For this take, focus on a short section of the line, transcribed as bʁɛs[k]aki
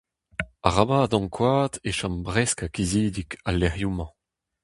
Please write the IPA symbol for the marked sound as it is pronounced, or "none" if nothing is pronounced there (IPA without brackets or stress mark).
k